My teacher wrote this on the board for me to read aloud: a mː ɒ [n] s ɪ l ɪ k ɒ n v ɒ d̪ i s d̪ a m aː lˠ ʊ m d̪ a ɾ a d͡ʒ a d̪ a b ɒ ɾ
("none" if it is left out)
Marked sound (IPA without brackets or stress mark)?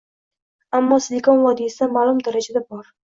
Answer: none